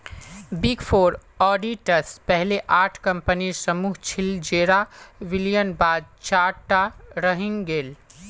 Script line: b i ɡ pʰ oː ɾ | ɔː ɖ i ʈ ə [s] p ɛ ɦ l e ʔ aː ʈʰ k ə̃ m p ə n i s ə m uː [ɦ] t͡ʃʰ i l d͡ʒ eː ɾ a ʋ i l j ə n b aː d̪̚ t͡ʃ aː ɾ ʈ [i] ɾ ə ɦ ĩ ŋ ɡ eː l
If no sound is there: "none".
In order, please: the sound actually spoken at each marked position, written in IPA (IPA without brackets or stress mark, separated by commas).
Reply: s, ɦ, a